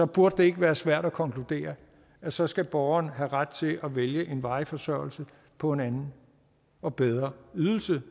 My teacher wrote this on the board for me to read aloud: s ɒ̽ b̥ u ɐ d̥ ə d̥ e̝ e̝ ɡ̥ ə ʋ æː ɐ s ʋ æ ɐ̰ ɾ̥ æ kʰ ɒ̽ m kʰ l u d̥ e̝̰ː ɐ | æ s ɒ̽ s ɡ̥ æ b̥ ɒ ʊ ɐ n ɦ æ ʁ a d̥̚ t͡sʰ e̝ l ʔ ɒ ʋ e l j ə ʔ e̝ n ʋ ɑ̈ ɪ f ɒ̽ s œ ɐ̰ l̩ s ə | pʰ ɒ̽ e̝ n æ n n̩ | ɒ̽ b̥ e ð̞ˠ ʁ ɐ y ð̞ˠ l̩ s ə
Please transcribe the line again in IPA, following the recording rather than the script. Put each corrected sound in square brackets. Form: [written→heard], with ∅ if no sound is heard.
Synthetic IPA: s ɒ̽ b̥ u ɐ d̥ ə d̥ e̝ e̝ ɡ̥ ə ʋ æː ɐ s ʋ æ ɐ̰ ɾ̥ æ kʰ ɒ̽ [m→ŋ] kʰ l u d̥ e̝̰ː ɐ | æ s ɒ̽ s ɡ̥ æ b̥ ɒ ʊ ɐ n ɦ æ ʁ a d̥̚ t͡sʰ e̝ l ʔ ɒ ʋ e l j ə ʔ e̝ n ʋ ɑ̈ ɪ f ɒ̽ s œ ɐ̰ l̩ s ə | pʰ ɒ̽ e̝ n æ n n̩ | ɒ̽ b̥ e ð̞ˠ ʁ ɐ y ð̞ˠ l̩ s ə